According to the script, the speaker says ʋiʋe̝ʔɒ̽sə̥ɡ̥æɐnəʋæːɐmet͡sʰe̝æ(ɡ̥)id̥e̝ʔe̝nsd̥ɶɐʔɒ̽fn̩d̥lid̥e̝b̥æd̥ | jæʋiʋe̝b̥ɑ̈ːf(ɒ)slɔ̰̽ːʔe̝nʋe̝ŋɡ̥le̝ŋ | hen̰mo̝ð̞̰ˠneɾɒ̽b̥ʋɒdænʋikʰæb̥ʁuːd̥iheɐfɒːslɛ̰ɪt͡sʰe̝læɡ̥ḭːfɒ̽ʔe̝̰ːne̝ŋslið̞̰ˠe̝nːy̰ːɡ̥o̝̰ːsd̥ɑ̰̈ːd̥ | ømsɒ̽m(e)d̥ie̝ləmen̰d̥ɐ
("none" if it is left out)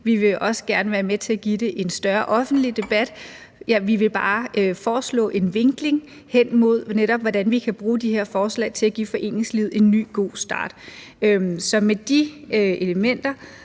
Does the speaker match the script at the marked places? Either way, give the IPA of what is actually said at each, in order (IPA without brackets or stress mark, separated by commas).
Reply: ɡ̥, ɒː, e